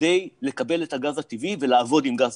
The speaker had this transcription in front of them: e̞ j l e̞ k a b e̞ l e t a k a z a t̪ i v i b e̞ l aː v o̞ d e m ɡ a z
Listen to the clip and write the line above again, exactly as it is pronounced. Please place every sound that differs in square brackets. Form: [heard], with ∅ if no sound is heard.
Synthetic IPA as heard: e̞ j l e̞ k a b e̞ l e t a [ɡ] a z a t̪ i v i [v] e̞ l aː v o̞ d [i] m ɡ a z